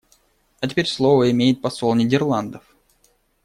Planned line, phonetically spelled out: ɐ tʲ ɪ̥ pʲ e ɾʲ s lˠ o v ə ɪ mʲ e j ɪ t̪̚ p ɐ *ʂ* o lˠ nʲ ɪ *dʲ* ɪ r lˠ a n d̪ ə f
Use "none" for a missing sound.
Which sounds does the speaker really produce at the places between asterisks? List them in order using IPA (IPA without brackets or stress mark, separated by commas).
s, dʲ